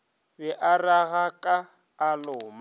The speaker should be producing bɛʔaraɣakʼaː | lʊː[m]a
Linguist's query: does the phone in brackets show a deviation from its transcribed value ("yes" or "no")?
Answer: no